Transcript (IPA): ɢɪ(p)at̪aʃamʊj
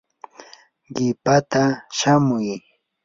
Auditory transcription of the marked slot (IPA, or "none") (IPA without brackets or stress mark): p